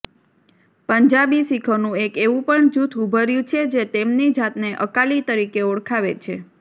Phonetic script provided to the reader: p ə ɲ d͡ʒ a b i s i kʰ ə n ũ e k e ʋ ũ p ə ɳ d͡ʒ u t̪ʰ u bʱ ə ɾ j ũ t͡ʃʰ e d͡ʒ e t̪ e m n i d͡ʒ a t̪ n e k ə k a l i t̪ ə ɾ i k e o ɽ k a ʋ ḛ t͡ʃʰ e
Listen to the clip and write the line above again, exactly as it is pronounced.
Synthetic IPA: p ə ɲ d͡ʒ a b i s i kʰ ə n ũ e k e ʋ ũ p ə ɳ d͡ʒ u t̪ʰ u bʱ ə ɾ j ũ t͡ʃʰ e d͡ʒ e t̪ e m n i d͡ʒ a t̪ n e ʔ ə k a l i t̪ ə ɾ i k e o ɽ kʰ a ʋ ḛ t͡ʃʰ e